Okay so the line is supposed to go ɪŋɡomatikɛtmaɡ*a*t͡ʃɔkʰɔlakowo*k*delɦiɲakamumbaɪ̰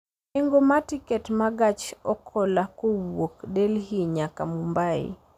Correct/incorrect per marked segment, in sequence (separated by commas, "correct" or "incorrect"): correct, correct